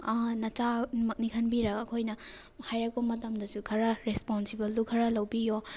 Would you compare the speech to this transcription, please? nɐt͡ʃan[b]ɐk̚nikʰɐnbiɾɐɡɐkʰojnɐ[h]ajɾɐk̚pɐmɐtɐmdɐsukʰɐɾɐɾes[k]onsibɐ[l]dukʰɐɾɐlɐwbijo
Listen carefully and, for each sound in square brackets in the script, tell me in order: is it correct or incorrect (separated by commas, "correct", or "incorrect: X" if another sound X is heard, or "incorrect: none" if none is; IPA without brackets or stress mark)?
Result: incorrect: m, correct, incorrect: p, correct